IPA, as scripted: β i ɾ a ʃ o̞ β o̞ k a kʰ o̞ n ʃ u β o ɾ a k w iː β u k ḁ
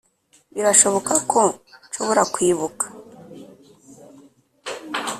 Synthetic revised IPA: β i ɾ a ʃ o̞ β o̞ k a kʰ o̞ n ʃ o β o ɾ a k w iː β u k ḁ